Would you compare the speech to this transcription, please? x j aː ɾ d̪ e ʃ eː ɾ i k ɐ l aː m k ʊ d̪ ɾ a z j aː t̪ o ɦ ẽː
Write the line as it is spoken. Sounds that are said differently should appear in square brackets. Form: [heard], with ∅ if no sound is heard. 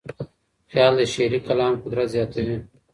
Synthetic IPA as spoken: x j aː [l] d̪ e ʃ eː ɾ i k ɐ l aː m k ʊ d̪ ɾ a z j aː t̪ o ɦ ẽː